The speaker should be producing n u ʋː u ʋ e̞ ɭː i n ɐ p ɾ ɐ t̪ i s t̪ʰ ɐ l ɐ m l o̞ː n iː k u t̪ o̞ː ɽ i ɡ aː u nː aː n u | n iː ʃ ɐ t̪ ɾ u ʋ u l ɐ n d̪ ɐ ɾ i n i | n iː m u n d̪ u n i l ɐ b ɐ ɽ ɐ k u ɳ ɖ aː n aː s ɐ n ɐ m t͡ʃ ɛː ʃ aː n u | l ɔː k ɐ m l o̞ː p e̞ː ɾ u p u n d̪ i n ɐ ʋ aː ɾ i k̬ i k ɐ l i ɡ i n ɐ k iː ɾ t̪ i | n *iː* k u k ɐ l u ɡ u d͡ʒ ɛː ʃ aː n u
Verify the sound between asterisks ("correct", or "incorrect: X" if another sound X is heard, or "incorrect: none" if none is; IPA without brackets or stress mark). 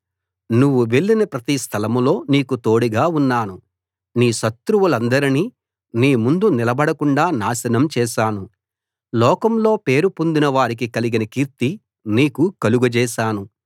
correct